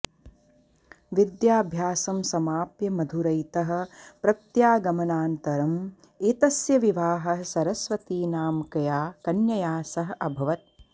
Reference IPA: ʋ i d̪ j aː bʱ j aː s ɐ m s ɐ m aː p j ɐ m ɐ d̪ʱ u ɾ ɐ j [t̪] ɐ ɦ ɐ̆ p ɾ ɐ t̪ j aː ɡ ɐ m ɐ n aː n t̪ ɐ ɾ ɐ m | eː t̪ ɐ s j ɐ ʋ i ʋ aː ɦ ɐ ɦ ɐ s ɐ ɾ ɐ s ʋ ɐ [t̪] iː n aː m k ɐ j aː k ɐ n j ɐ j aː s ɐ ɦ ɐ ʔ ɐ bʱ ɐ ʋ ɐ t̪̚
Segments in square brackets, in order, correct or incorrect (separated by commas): correct, correct